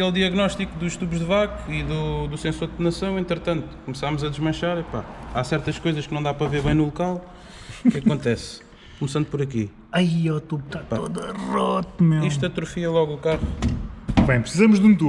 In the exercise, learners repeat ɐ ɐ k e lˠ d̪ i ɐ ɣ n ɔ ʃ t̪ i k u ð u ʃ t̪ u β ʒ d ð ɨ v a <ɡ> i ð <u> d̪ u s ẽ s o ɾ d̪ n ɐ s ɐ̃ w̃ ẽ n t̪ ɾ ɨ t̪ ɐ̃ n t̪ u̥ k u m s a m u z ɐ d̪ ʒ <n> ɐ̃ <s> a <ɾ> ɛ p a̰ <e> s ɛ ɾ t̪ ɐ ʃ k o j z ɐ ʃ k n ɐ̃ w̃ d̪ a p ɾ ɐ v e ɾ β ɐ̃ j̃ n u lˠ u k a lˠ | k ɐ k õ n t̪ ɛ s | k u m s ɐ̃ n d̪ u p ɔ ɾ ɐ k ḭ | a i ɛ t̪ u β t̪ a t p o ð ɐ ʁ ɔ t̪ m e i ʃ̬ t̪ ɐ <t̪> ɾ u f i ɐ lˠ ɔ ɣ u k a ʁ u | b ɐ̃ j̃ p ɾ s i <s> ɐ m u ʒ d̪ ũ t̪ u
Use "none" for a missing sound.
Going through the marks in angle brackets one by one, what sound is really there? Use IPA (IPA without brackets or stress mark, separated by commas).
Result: k, u, m, ʃ, ɾ, a, t̪, z